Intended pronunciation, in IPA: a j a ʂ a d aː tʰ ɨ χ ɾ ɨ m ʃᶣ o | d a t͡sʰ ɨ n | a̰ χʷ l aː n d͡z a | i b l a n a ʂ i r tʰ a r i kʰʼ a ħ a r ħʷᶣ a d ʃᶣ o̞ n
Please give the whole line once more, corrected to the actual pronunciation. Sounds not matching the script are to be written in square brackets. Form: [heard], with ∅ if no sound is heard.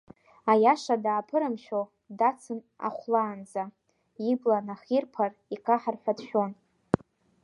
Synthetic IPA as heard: a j a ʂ a d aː [pʰ] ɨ [∅] ɾ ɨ m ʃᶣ o | d a t͡sʰ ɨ n | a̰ χʷ l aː n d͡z a | i b l a n a [χ] i r [pʰ] a r i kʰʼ a ħ a r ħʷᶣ a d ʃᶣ o̞ n